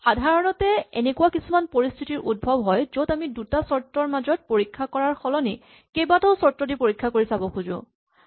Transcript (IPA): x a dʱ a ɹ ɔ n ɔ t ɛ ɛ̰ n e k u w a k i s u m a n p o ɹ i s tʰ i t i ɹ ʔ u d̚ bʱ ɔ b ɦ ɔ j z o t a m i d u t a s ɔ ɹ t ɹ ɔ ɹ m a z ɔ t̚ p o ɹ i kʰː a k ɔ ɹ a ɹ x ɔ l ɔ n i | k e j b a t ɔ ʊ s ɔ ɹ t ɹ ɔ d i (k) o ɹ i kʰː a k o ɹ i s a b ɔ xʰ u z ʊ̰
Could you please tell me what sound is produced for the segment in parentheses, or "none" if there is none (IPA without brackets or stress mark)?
p